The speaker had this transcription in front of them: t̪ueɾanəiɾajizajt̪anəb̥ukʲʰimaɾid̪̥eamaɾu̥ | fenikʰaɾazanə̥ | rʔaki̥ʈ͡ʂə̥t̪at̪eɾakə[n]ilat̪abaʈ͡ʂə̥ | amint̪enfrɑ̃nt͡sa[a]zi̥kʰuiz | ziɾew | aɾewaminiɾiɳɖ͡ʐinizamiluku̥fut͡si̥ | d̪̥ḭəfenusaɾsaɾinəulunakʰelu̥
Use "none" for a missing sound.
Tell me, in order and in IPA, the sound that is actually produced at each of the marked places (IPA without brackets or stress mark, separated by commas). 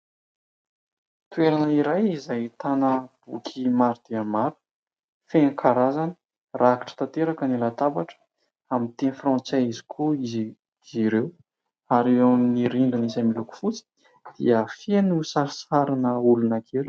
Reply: n, i